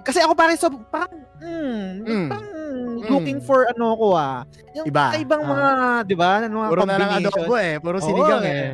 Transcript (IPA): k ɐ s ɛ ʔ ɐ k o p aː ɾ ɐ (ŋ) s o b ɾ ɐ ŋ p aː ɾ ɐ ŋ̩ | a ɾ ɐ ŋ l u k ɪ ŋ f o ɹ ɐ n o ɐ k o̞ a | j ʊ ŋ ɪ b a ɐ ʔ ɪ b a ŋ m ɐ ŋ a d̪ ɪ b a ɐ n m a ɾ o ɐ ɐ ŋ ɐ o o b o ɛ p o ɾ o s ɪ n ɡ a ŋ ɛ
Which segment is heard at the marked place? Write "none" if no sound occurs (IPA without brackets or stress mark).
ŋ